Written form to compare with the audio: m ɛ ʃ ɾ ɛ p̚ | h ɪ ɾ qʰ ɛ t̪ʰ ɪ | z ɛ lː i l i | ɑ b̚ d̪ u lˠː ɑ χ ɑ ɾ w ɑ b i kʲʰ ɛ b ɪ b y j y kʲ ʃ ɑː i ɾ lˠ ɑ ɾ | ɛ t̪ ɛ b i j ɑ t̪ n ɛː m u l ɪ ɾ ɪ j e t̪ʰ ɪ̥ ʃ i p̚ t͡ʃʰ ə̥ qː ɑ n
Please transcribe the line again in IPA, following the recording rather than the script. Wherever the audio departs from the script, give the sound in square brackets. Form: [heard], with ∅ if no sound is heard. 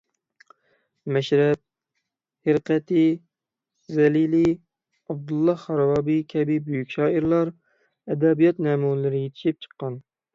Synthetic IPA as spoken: m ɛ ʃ ɾ ɛ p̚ | h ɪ ɾ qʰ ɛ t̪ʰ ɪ | z ɛ [l] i l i | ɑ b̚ d̪ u lˠː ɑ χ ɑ ɾ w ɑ b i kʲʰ ɛ b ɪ b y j y kʲ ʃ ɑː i ɾ lˠ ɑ ɾ | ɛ [d̪] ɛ b i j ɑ t̪ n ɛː m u l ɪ ɾ ɪ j e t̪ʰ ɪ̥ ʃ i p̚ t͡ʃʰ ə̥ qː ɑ n

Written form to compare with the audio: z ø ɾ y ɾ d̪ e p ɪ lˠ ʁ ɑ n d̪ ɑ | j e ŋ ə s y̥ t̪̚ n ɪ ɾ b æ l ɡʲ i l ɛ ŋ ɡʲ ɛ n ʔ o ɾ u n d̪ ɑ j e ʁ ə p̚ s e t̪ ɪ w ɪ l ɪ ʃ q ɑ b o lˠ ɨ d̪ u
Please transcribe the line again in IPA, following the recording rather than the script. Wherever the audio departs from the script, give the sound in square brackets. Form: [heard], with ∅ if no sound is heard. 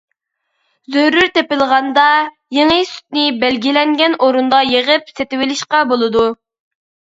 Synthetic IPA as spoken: z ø ɾ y ɾ [t̪] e p ɪ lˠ ʁ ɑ n d̪ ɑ | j e ŋ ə s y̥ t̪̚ n ɪ [∅] b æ l ɡʲ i l ɛ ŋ ɡʲ ɛ n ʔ o ɾ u n d̪ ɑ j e ʁ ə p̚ s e t̪ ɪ w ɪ l ɪ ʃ q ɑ b o lˠ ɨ d̪ u

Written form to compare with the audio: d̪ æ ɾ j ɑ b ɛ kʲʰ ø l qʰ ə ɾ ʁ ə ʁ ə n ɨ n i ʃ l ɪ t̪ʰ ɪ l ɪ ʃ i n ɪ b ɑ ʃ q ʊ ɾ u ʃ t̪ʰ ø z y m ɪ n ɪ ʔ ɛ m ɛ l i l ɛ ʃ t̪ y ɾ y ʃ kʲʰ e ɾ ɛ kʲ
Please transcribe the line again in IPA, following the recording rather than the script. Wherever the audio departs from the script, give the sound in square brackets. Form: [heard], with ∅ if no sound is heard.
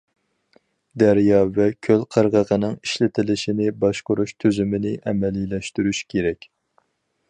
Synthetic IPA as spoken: d̪ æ ɾ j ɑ [v] ɛ kʲʰ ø l qʰ ə ɾ ʁ ə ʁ ə n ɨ [ŋ] i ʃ l ɪ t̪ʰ ɪ l ɪ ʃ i n ɪ b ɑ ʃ q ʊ ɾ u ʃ t̪ʰ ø z y m ɪ n ɪ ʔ ɛ m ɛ l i l ɛ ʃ t̪ y ɾ y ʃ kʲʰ e ɾ ɛ kʲ

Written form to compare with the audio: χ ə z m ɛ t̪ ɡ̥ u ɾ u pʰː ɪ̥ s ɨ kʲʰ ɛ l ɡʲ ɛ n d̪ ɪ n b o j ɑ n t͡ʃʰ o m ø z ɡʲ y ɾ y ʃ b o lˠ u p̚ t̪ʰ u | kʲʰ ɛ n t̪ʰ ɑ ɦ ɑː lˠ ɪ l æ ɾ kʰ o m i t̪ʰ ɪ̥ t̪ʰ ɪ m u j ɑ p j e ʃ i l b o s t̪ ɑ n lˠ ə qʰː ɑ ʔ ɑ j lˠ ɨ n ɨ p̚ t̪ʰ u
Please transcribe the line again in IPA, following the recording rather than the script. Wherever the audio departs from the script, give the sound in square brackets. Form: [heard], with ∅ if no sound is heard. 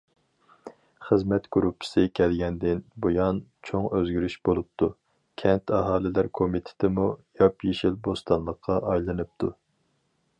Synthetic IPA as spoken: χ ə z m ɛ t̪ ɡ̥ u ɾ u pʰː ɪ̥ s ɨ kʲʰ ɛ l ɡʲ ɛ n d̪ ɪ n b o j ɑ n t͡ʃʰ o [ŋ] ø z ɡʲ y ɾ y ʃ b o lˠ u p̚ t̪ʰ u | kʲʰ ɛ n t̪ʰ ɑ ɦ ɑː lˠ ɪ l æ ɾ kʰ o m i t̪ʰ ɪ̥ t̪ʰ ɪ m u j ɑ p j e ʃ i l b o s t̪ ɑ n lˠ ə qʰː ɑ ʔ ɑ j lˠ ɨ n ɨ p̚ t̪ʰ u

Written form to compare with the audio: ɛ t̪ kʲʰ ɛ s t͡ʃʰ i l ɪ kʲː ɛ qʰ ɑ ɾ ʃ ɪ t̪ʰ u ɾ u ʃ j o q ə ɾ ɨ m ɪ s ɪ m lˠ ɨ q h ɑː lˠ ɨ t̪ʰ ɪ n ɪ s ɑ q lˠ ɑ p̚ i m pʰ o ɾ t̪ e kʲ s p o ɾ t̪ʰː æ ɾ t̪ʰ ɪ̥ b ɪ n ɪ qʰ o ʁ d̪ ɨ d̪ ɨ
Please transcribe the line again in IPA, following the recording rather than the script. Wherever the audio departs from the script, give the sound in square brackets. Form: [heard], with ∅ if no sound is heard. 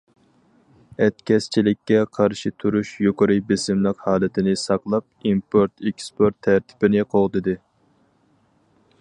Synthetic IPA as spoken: ɛ t̪ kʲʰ ɛ s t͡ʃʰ i l ɪ kʲː ɛ qʰ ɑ ɾ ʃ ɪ t̪ʰ u ɾ u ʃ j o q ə ɾ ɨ [b] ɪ s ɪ m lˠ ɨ q h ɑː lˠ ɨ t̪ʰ ɪ n ɪ s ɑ q lˠ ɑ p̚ i m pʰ o ɾ t̪ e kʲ s p o ɾ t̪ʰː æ ɾ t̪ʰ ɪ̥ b ɪ n ɪ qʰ o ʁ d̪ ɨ d̪ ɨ

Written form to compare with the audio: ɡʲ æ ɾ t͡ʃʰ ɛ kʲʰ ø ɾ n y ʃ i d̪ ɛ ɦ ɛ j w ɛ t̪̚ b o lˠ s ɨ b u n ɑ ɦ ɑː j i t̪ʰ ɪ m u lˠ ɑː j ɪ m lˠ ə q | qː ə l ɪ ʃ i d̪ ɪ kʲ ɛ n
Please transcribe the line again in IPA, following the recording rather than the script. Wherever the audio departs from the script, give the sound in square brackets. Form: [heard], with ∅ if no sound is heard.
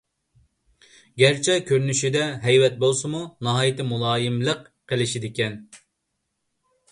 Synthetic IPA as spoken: ɡʲ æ ɾ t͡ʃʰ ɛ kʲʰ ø ɾ n y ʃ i d̪ ɛ ɦ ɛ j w ɛ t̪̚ b o lˠ s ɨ [m] u n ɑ ɦ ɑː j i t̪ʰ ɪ m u lˠ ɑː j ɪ m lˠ ə q | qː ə l ɪ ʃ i d̪ ɪ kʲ ɛ n

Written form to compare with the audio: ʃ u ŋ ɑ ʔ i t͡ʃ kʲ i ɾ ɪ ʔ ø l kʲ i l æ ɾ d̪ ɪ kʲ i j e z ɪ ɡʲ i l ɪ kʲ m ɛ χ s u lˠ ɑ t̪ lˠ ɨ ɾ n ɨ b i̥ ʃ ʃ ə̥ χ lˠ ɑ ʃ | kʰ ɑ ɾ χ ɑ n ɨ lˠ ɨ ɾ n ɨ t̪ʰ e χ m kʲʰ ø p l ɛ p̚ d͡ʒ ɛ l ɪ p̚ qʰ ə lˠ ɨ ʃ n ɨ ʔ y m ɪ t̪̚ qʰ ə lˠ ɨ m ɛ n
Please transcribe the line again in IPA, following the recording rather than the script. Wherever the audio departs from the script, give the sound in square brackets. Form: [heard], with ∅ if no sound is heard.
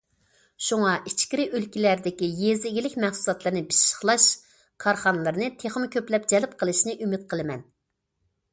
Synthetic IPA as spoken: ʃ u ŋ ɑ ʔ i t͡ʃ kʲ i ɾ ɪ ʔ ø l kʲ i l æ ɾ d̪ ɪ kʲ i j e z ɪ ɡʲ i l ɪ kʲ m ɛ χ s u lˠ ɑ t̪ lˠ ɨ ɾ n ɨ b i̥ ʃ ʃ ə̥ χ lˠ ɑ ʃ | kʰ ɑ ɾ χ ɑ n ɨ lˠ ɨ ɾ n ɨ t̪ʰ e χ m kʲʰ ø p l ɛ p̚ d͡ʒ ɛ l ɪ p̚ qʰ ə lˠ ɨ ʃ n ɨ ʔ y m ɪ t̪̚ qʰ ə lˠ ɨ m ɛ n

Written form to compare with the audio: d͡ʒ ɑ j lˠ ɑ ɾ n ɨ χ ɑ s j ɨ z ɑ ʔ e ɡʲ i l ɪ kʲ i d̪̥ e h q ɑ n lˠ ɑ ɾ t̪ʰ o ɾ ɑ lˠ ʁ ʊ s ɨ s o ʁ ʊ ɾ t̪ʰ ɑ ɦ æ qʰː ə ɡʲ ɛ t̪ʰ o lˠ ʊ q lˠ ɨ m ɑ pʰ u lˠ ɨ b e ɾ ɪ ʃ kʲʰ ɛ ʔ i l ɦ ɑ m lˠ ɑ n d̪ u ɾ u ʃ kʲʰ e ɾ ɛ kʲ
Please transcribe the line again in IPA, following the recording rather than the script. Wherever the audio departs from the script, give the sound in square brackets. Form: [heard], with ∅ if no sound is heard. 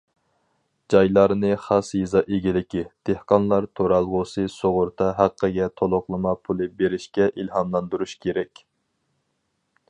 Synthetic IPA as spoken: d͡ʒ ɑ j lˠ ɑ ɾ n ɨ χ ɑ s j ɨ z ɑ ʔ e ɡʲ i l ɪ kʲ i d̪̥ e h q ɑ n lˠ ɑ ɾ t̪ʰ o ɾ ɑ lˠ ʁ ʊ s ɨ s o ʁ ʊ ɾ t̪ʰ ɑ ɦ æ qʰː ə ɡʲ ɛ t̪ʰ o lˠ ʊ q lˠ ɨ m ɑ pʰ u lˠ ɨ b e ɾ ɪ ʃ [kʲ] ɛ ʔ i l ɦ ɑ m lˠ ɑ n d̪ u ɾ u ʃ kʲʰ e ɾ ɛ kʲ

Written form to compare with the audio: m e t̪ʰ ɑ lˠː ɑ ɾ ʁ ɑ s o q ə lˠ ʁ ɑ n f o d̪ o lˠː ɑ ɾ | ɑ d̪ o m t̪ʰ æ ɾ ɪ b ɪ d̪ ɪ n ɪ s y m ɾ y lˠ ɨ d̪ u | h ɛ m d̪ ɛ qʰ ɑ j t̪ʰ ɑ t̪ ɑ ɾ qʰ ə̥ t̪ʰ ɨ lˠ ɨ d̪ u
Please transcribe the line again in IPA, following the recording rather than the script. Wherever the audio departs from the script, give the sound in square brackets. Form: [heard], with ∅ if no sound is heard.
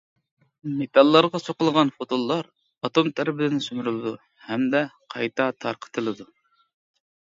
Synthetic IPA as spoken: m e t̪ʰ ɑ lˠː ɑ ɾ ʁ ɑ s o q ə lˠ ʁ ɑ n f o [t̪] o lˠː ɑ ɾ | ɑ [t̪] o m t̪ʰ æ ɾ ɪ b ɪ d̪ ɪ n ɪ s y m ɾ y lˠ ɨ d̪ u | h ɛ m d̪ ɛ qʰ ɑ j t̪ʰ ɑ [t̪ʰ] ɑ ɾ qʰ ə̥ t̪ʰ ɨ lˠ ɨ d̪ u

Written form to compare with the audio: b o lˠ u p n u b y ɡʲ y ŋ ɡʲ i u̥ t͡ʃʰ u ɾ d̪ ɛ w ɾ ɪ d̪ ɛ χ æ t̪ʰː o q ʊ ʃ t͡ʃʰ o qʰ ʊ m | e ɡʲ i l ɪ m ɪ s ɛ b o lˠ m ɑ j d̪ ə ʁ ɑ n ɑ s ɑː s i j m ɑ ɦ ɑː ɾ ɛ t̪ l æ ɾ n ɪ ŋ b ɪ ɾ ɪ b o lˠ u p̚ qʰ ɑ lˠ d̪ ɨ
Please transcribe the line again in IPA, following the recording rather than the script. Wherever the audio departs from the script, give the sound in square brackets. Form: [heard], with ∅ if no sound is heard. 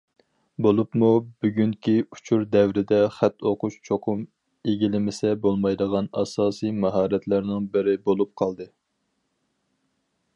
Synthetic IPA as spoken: b o lˠ u p [m] u b y ɡʲ y ŋ [kʲ] i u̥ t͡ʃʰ u ɾ d̪ ɛ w ɾ ɪ d̪ ɛ χ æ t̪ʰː o q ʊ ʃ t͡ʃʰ o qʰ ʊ m | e ɡʲ i l ɪ m ɪ s ɛ b o lˠ m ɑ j d̪ ə ʁ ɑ n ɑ s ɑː s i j m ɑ ɦ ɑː ɾ ɛ t̪ l æ ɾ n ɪ ŋ b ɪ ɾ ɪ b o lˠ u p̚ qʰ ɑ lˠ d̪ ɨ

